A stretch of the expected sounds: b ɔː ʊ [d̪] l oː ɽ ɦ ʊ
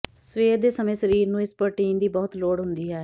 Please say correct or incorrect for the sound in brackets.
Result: incorrect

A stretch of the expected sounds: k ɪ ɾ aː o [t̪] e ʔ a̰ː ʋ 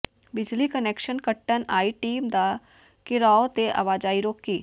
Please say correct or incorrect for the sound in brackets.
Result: correct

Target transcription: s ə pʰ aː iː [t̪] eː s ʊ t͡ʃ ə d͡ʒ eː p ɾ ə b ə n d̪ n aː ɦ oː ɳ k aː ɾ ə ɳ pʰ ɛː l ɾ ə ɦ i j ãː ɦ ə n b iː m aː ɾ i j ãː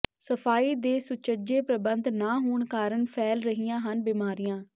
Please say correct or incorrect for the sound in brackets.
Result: incorrect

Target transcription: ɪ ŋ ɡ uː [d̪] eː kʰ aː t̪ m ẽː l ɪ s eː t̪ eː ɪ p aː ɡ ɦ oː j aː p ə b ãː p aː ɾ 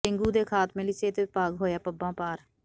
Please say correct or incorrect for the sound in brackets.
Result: correct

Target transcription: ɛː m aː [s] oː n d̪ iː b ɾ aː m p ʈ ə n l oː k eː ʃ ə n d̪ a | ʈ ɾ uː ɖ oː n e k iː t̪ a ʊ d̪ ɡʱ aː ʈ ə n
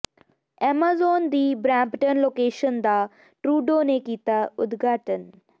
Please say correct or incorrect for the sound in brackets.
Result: incorrect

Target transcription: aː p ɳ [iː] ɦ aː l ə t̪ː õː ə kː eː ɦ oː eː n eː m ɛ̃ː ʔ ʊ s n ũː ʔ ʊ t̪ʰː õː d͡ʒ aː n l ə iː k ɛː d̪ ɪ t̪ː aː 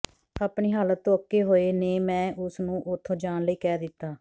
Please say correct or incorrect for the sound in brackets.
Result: correct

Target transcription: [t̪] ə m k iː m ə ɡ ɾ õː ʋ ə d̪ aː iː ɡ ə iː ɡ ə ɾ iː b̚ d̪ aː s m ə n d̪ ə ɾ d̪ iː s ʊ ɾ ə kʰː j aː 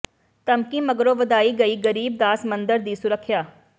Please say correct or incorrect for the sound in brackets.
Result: correct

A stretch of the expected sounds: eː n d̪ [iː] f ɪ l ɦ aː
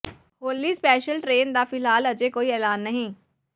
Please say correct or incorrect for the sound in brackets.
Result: incorrect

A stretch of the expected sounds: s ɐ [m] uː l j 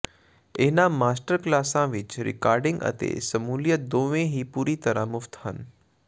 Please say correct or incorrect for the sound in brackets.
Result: correct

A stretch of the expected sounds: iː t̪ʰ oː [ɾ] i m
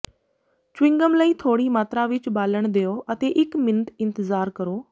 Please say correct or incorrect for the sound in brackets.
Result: incorrect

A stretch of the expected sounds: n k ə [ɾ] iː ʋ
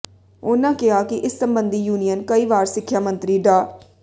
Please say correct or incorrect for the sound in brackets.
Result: incorrect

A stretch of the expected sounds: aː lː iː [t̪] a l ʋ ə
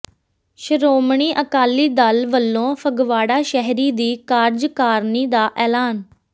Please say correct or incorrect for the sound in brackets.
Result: incorrect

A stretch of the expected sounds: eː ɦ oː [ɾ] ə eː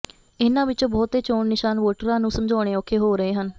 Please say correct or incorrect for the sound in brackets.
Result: correct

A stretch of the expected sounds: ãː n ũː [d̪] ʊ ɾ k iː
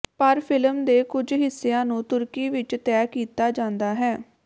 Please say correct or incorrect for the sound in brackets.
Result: incorrect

